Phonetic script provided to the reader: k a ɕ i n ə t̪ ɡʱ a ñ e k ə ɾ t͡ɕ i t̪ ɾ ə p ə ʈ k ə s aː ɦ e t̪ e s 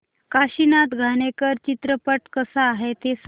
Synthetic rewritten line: k a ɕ i n a t̪ ɡʱ a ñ e k ə ɾ t͡ɕ i t̪ ɾ ə p ə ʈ k ə s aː ɦ e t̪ e s